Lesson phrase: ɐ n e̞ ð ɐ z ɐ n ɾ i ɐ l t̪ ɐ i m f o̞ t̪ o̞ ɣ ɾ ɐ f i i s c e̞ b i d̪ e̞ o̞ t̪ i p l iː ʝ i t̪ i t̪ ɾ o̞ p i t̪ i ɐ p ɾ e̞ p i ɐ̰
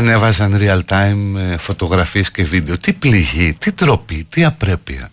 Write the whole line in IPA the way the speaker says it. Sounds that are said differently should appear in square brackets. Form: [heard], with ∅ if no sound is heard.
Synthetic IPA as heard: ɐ n e̞ [v] ɐ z ɐ n ɾ i ɐ l t̪ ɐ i m f o̞ t̪ o̞ ɣ ɾ ɐ f i [e] s c e̞ [v] i d̪ e̞ o̞ t̪ i p l [i] ʝ i t̪ i t̪ ɾ o̞ p i t̪ i ɐ p ɾ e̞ p i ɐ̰